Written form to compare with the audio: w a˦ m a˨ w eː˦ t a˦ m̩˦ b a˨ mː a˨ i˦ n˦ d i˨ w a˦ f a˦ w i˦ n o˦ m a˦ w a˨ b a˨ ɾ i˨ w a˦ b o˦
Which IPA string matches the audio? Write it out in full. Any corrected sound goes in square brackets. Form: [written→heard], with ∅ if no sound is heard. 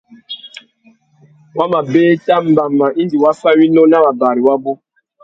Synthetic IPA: w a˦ m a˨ [w→b] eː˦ t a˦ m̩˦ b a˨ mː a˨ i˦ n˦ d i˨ w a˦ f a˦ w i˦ n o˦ [m→n] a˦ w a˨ b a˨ ɾ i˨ w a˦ b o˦